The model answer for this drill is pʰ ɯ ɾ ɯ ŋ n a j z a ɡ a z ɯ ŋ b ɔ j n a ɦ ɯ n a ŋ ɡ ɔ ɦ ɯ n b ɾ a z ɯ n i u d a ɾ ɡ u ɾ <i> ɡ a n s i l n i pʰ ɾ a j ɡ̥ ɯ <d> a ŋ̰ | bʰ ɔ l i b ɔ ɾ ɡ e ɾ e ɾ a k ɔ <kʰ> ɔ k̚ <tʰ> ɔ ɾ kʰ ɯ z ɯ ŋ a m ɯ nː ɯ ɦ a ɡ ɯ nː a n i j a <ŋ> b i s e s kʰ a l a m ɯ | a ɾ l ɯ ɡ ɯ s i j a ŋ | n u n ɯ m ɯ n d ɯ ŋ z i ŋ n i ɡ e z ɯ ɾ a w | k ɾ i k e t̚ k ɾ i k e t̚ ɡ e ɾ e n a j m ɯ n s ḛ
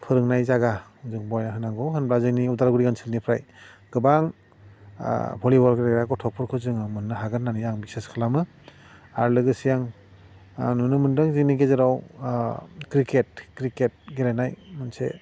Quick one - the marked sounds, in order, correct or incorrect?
correct, incorrect: b, incorrect: tʰ, incorrect: pʰ, correct

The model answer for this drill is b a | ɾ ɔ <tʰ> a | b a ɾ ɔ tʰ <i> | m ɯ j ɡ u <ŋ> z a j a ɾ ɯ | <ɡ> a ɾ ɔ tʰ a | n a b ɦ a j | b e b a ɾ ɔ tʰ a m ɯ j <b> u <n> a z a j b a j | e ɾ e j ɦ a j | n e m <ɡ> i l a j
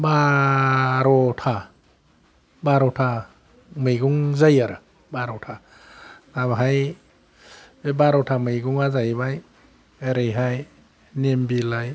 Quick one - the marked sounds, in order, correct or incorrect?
correct, incorrect: a, correct, incorrect: b, incorrect: ɡ, incorrect: ŋ, incorrect: b

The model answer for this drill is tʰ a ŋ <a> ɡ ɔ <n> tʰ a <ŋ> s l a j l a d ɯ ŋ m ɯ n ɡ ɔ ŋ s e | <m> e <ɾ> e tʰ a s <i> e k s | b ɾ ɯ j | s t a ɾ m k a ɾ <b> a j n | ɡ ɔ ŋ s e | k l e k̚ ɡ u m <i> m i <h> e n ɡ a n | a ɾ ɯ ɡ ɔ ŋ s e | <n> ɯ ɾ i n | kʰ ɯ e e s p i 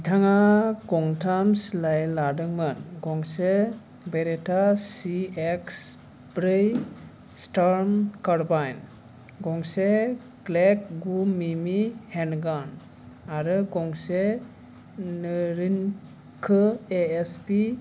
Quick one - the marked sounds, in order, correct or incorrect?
correct, incorrect: ŋ, incorrect: m, incorrect: b, correct, correct, correct, correct, correct, correct

